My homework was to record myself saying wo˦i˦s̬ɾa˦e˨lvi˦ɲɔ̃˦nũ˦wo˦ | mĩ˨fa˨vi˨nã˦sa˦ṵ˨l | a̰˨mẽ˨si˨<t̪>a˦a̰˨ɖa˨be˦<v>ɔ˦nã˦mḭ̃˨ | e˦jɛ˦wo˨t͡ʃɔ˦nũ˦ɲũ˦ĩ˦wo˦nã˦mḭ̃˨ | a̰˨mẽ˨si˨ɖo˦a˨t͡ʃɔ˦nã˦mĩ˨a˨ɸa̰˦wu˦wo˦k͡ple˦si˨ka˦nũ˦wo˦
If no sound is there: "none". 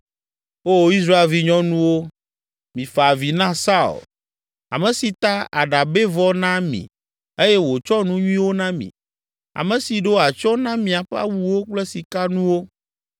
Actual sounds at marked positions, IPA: t̪, v

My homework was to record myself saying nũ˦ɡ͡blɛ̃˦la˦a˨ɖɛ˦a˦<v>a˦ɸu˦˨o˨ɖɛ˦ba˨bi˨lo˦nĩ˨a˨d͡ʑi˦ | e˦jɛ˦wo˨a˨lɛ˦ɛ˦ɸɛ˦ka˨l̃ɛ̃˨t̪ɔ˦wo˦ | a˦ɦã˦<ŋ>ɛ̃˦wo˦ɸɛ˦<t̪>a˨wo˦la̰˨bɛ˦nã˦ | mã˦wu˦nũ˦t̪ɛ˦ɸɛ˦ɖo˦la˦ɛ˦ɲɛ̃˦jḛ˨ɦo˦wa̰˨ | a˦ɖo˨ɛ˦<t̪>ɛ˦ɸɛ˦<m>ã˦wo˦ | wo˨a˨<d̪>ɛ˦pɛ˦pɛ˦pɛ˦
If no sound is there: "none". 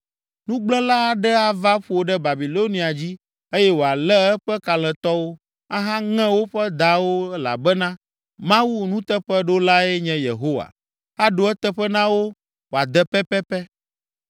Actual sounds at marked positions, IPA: v, ŋ, d̪, t̪, n, d̪

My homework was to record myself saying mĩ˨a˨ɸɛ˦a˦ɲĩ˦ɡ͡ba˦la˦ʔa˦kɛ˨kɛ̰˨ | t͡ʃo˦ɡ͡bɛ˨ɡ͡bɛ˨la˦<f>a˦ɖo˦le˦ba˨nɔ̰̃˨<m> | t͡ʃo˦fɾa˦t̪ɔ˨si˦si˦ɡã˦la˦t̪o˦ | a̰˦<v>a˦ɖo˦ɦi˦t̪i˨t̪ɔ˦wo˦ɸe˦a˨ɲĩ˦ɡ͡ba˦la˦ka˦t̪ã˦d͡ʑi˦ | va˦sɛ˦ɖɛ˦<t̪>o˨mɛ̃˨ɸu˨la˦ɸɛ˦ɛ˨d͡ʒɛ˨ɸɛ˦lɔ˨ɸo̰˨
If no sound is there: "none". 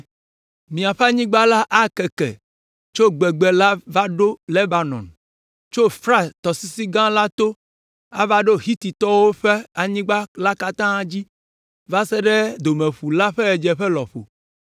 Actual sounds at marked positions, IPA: v, n, v, d̪

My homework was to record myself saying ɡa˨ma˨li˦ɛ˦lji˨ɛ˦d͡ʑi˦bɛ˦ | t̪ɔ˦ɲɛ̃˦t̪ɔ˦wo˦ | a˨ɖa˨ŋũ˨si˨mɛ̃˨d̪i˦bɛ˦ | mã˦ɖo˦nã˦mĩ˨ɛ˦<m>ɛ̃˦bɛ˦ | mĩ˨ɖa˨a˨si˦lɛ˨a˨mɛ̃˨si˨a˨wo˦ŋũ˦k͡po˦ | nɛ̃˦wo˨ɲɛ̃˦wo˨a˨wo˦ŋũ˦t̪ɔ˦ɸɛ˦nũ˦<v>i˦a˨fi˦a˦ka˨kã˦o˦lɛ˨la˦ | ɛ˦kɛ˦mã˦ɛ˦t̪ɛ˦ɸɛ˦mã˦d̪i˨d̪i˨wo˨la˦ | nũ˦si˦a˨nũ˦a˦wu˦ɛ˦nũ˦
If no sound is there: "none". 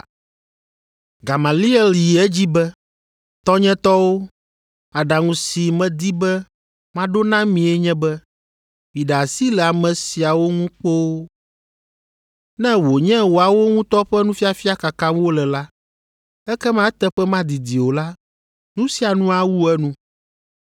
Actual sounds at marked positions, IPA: ɲ, f

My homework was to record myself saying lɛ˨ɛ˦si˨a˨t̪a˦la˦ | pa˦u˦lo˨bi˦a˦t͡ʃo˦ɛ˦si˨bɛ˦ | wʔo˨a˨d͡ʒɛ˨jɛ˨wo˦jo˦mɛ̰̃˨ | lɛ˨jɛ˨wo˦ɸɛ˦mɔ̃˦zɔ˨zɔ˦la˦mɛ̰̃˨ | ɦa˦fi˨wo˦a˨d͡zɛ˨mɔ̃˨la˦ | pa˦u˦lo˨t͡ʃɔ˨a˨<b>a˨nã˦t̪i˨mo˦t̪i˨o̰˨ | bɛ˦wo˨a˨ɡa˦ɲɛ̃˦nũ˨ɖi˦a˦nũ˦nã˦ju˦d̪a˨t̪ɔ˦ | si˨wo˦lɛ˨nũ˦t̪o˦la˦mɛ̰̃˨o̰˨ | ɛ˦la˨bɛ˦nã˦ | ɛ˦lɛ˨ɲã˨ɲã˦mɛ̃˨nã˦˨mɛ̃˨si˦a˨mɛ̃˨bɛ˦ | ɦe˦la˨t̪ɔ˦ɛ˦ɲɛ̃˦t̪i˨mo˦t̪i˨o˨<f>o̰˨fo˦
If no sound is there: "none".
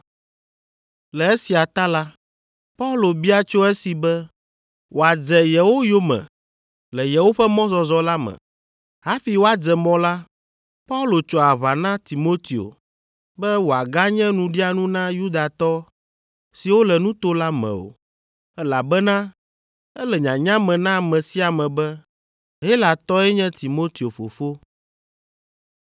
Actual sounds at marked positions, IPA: β, f

